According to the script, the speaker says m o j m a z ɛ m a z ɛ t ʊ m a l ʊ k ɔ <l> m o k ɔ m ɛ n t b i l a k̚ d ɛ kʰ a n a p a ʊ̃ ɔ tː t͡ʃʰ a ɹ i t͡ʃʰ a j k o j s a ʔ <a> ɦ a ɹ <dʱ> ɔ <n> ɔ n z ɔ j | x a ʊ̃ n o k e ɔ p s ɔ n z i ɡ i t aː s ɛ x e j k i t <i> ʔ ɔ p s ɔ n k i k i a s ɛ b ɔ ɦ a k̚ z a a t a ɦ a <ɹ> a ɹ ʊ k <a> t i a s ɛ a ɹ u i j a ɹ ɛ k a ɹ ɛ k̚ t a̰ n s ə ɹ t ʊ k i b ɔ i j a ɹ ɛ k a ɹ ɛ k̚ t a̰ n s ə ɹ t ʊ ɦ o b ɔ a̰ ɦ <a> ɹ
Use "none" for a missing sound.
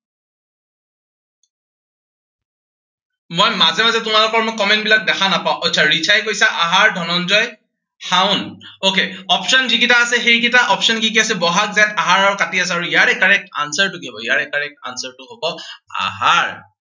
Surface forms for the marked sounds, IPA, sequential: ɹ, a, dʱ, n, a, ɹ, a, a

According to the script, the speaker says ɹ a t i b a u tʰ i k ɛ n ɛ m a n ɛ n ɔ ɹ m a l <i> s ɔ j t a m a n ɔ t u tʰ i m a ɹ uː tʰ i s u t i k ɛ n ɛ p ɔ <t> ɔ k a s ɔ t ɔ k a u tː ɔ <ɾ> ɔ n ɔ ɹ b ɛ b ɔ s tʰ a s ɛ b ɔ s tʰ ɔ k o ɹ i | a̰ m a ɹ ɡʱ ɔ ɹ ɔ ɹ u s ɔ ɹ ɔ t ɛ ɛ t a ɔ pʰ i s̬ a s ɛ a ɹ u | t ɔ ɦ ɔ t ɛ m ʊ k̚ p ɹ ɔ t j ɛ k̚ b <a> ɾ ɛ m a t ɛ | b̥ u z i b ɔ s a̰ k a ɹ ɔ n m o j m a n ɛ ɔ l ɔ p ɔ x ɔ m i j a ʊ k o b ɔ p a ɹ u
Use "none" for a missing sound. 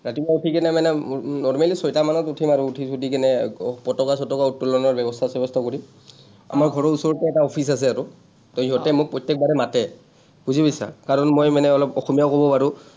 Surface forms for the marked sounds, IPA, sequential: i, t, l, a

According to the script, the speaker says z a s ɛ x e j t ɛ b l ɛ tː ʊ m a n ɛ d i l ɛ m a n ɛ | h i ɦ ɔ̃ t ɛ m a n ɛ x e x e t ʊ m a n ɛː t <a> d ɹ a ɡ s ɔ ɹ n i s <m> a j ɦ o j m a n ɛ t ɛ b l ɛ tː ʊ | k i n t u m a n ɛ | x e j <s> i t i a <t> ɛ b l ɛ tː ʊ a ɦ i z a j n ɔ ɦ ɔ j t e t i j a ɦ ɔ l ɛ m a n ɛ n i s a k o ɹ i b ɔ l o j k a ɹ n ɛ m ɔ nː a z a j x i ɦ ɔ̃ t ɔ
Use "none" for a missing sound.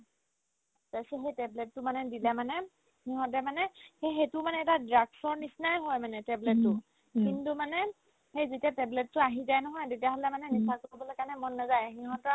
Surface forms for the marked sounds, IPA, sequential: a, n, z, t

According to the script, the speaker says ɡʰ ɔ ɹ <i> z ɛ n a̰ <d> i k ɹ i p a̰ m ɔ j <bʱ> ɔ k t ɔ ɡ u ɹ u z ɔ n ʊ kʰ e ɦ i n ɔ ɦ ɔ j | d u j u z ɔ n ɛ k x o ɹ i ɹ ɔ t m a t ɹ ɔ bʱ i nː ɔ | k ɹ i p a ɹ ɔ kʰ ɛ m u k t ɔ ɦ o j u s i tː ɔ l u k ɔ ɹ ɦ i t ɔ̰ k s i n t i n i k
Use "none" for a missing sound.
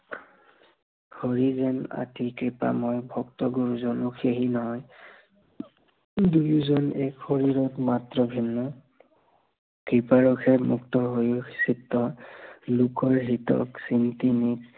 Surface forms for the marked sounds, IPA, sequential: i, t, bʱ

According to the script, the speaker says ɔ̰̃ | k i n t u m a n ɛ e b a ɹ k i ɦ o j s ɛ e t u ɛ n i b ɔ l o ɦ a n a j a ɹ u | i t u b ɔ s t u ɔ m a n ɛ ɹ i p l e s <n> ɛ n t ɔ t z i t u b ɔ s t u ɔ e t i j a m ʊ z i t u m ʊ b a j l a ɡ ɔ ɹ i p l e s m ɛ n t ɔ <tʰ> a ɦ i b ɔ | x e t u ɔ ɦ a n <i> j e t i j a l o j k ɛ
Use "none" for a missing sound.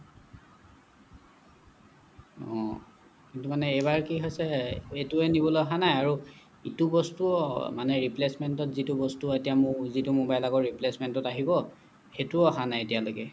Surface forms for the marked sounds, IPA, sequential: m, t, a

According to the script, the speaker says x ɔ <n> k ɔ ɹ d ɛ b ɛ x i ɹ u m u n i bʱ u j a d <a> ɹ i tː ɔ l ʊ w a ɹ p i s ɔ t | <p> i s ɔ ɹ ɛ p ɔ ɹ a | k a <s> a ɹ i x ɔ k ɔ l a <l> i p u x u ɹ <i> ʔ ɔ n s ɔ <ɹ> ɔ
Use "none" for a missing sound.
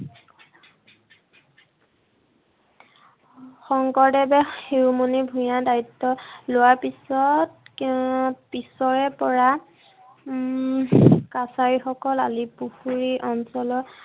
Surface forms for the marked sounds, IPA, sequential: ŋ, a, p, s, l, i, l

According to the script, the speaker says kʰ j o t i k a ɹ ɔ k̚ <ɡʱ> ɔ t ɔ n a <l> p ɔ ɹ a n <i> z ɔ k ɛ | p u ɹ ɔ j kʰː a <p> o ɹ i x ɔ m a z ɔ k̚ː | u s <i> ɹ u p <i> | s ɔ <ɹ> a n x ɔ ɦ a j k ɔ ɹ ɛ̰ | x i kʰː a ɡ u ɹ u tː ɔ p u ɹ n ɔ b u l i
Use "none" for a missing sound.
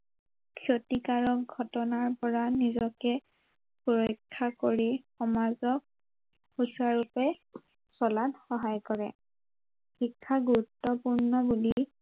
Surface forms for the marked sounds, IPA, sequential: ɡʱ, ɹ, i, k, a, ɛ, l

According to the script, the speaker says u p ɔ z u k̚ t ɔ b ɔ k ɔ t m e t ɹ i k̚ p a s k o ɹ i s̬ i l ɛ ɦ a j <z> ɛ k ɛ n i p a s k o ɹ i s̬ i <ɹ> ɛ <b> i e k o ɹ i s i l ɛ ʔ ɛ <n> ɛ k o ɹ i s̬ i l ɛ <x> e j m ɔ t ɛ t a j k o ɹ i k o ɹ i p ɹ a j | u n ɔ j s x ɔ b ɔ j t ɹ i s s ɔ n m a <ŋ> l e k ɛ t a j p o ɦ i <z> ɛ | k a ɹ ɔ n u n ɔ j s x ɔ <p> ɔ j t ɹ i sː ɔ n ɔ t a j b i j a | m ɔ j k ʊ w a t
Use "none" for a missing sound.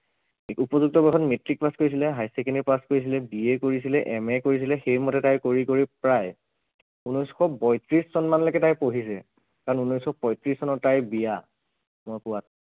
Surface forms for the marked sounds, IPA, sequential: s, l, b, m, x, n, s, p

